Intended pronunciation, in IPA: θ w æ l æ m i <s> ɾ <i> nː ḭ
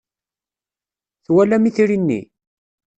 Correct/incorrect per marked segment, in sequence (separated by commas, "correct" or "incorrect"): incorrect, correct